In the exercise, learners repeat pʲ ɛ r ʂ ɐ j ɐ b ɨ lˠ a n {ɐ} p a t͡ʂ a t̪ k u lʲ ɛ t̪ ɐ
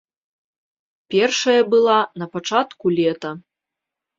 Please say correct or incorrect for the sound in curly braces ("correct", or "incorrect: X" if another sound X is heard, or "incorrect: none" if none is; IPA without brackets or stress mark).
correct